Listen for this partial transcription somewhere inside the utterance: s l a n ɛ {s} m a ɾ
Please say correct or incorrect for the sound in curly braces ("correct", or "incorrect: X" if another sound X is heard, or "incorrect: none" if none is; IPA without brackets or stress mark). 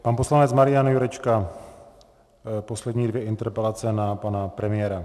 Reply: incorrect: t͡s